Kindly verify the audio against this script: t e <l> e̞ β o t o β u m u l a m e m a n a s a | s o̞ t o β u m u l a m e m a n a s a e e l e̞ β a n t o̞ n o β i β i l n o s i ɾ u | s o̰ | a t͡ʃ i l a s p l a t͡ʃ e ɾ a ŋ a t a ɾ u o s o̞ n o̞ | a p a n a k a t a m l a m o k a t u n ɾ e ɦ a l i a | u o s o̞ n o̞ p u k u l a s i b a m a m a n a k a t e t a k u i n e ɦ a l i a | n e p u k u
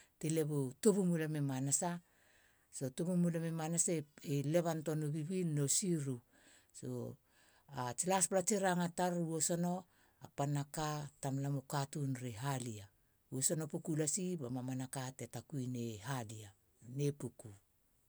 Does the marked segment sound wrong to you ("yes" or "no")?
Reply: no